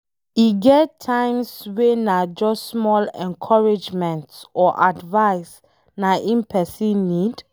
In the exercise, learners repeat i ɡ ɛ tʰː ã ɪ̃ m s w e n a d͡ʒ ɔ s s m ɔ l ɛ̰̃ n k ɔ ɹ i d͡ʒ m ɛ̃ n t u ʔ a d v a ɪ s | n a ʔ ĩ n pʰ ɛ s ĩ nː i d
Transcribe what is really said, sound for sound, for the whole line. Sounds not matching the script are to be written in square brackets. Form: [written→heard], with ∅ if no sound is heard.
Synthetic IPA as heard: i ɡ ɛ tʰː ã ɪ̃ m s w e n a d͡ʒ ɔ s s m ɔ l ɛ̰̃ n [k→kʰ] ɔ ɹ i d͡ʒ m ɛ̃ n t [u→ɔ] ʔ a d v a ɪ s | n a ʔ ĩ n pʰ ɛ s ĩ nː i d